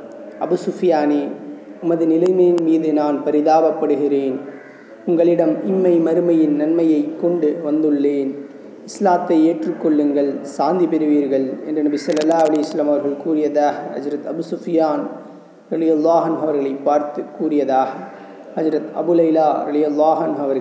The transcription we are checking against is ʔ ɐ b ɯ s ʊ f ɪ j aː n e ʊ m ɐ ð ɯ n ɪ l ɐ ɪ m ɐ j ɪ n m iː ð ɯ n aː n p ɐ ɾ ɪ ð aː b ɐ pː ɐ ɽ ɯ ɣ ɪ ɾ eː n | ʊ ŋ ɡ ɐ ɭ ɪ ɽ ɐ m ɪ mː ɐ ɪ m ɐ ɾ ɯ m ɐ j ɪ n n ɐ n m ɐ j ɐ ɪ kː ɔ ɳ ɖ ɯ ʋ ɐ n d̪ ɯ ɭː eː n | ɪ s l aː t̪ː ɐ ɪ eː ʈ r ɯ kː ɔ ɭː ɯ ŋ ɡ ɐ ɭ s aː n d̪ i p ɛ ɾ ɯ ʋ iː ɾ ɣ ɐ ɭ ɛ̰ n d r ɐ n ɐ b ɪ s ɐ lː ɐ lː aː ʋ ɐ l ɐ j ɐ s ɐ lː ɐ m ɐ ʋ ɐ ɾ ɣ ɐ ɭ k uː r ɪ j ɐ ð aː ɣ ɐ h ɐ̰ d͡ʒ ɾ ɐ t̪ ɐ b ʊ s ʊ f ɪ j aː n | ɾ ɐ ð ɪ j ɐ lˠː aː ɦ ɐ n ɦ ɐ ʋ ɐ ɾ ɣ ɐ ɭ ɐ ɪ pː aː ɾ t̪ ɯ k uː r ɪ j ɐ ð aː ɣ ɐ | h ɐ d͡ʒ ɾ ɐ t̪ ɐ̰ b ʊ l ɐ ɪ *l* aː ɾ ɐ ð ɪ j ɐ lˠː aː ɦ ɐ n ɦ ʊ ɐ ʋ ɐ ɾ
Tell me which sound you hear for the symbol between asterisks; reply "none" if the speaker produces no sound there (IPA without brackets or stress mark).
l